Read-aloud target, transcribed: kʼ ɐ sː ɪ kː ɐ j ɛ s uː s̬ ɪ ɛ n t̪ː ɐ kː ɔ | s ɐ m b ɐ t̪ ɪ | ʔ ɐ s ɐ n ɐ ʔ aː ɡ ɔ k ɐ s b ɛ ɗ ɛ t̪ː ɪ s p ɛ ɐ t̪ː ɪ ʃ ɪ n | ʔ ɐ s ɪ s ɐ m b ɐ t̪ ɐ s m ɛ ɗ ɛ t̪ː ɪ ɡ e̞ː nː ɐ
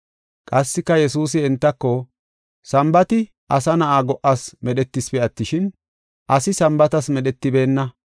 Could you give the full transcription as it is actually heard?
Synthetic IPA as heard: kʼ ɐ sː ɪ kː ɐ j ɛ s uː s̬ ɪ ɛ n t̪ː ɐ kː ɔ | s ɐ m b ɐ t̪ ɪ | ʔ ɐ s ɐ n ɐ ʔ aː ɡ ɔ ʔ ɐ s m ɛ ɗ ɛ t̪ː ɪ s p ɛ ɐ t̪ː ɪ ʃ ɪ n | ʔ ɐ s ɪ s ɐ m b ɐ t̪ ɐ s m ɛ ɗ ɛ t̪ː ɪ b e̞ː nː ɐ